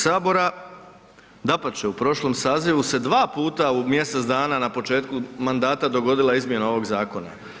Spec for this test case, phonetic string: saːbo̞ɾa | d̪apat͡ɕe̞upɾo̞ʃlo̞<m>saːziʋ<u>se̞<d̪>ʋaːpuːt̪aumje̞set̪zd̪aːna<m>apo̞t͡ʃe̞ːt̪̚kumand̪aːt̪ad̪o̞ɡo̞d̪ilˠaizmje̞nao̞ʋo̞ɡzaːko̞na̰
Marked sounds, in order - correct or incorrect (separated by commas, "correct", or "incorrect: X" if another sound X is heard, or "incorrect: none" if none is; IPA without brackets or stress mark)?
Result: correct, correct, correct, incorrect: n